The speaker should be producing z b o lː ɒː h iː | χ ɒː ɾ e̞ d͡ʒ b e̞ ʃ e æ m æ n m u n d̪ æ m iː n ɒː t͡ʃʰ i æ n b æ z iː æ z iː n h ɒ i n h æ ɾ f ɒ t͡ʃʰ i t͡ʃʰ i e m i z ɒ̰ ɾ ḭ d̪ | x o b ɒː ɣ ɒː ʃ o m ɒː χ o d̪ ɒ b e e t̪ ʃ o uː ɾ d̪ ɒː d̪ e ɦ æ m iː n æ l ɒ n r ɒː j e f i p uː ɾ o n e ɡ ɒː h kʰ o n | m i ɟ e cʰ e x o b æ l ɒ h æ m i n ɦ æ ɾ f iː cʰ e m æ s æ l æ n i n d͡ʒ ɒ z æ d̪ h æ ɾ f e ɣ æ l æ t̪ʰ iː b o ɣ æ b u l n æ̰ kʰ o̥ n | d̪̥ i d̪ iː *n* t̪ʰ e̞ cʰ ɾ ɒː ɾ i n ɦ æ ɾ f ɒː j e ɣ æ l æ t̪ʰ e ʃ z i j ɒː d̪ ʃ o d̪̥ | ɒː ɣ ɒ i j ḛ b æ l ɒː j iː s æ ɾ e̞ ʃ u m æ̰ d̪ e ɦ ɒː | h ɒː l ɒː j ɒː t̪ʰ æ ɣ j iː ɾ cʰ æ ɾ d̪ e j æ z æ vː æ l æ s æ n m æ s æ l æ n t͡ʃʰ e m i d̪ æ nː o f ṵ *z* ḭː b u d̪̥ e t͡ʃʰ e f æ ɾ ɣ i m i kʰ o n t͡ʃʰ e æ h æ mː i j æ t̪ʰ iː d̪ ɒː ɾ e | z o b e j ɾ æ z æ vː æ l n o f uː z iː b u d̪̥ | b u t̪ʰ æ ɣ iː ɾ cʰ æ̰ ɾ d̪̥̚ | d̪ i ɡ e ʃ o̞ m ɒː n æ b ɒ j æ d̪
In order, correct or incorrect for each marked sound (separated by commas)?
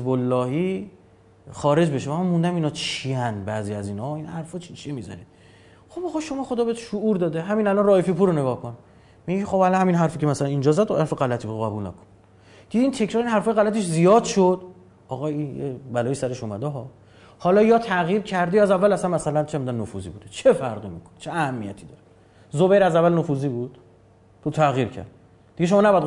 correct, correct